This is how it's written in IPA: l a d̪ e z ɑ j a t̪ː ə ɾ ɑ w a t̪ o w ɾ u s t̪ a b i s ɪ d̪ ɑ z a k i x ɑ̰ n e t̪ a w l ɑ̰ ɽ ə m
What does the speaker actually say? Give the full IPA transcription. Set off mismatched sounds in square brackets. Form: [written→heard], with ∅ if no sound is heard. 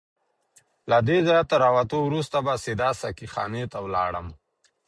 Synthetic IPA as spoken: l a d̪ e z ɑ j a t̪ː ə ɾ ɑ w a t̪ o w ɾ u s t̪ a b [i→a] s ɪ d̪ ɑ [z→s] a k i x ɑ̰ n e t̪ a w l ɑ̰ ɽ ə m